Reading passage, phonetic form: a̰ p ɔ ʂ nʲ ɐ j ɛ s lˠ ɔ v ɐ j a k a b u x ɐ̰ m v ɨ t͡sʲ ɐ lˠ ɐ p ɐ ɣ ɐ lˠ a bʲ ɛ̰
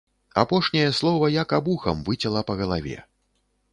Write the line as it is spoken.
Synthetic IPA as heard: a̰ p ɔ ʂ nʲ ɐ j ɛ s lˠ ɔ v ɐ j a k a b u x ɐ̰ m v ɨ t͡sʲ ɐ lˠ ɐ p ɐ ɣ ɐ lˠ a vʲ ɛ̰